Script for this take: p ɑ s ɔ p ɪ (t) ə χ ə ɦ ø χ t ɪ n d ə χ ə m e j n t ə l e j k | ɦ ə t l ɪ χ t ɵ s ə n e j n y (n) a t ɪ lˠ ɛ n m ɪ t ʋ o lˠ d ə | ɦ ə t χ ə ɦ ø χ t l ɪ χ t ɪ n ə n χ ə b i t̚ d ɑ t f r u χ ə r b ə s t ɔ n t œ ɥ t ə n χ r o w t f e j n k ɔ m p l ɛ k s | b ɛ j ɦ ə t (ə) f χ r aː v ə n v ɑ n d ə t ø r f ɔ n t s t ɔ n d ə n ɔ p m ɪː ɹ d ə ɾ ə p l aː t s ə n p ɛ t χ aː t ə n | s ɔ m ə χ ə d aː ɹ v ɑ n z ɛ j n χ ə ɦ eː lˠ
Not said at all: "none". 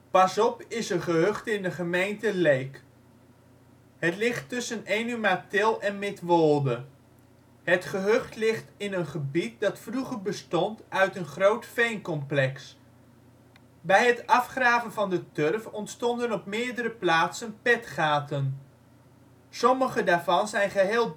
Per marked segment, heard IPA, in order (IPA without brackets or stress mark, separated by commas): s, m, ɑ